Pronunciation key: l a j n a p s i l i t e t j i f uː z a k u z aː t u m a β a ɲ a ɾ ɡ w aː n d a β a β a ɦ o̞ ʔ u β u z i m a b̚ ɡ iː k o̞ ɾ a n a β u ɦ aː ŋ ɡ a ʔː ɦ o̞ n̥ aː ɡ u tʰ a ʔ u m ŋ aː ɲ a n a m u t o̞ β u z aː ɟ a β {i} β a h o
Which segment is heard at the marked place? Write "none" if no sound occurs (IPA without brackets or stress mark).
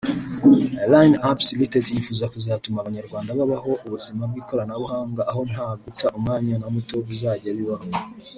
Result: i